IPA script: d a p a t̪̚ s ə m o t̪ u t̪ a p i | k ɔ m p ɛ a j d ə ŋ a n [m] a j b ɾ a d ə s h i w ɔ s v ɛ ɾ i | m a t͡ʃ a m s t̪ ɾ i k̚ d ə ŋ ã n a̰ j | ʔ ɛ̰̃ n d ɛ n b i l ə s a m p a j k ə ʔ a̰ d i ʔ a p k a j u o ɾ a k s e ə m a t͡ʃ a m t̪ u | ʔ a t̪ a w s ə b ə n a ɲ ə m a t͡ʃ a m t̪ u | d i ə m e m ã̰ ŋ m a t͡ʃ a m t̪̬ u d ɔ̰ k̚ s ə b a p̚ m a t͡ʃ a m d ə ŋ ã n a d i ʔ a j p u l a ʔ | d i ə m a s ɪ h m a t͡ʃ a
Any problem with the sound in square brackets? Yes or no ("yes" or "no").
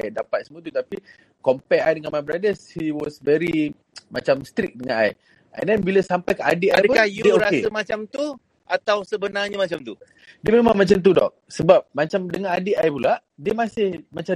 no